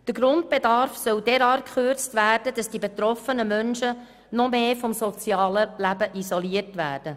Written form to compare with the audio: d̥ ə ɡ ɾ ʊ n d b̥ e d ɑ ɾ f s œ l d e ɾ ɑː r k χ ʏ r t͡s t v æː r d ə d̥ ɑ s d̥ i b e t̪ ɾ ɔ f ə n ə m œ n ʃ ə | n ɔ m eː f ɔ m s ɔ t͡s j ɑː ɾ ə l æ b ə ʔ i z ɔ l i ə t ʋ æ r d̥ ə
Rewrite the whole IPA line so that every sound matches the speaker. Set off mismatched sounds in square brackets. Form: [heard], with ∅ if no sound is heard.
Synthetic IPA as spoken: d̥ ə ɡ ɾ ʊ n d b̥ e d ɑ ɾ f s œ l d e ɾ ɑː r k χ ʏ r t͡s t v æː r d ə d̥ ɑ s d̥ i b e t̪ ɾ ɔ f ə n ə m œ n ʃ ə | n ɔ m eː f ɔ m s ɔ t͡s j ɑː [l] ə l æ b ə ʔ i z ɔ l i ə t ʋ [æː] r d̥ ə